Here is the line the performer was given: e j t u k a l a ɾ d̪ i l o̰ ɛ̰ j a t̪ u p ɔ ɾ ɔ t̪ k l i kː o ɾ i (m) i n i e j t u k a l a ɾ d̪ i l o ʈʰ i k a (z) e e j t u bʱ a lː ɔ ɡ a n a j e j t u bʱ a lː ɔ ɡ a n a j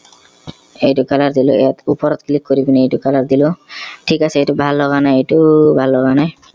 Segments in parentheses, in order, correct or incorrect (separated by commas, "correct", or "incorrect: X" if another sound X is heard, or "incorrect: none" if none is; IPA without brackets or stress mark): incorrect: b, incorrect: s